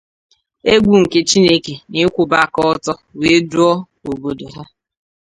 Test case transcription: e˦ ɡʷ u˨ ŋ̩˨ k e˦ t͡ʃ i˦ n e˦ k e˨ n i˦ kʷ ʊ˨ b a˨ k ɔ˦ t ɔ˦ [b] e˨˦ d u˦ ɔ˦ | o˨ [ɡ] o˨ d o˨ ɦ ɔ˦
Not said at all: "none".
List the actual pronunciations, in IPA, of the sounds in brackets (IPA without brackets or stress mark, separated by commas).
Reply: w, b